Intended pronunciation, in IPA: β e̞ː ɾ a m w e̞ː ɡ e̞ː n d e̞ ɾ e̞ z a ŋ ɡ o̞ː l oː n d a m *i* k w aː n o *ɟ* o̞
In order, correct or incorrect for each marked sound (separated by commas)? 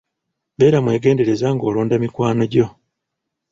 correct, correct